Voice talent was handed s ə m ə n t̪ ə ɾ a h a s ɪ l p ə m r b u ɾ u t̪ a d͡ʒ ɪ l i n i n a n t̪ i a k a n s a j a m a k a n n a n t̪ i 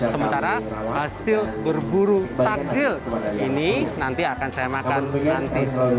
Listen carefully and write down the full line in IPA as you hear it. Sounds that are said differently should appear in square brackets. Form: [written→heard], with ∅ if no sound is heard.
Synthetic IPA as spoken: s ə m ə n t̪ [ə→a] ɾ a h a s ɪ l [p→b] ə [m→∅] r b u ɾ u t̪ a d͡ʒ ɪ l i n i n a n t̪ i a k a n s a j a m a k a n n a n t̪ i